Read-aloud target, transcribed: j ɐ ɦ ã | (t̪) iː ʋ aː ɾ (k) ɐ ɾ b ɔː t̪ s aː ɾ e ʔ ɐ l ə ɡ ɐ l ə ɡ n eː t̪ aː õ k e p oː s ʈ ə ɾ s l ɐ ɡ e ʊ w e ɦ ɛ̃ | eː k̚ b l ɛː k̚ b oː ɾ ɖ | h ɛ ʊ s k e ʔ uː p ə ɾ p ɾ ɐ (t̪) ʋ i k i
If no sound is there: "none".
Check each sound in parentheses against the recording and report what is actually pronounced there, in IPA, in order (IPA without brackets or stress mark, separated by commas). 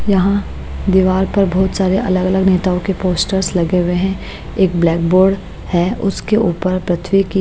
d̪, p, t̪ʰ